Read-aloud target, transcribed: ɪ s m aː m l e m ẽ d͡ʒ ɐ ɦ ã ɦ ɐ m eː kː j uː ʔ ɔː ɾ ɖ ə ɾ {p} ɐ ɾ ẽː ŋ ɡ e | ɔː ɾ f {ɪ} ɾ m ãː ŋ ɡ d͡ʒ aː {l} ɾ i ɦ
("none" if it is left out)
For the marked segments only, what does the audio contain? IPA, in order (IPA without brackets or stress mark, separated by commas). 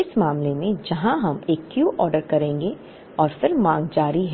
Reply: k, ɪ, none